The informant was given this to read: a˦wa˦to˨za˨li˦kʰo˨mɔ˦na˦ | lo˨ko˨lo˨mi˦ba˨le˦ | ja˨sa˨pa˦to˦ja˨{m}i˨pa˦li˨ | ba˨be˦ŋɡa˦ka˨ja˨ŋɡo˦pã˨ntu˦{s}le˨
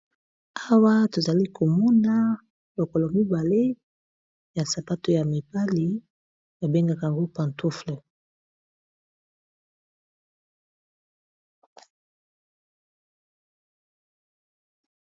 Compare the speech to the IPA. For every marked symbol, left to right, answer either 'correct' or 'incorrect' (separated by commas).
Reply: correct, incorrect